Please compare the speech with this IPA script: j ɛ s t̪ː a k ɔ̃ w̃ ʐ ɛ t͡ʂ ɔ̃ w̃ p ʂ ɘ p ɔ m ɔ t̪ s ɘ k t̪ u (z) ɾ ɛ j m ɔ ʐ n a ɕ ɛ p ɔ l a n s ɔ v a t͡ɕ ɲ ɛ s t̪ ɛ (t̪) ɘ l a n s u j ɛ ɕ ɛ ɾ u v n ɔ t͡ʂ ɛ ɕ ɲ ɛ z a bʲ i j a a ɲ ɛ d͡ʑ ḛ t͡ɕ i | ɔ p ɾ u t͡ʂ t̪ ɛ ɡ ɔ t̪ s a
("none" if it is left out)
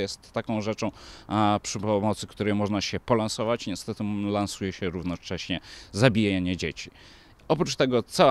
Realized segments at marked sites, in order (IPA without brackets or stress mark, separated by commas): none, t̪